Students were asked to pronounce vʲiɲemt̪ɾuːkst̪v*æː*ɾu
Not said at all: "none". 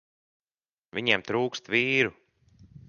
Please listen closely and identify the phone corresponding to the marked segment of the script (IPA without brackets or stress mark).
iː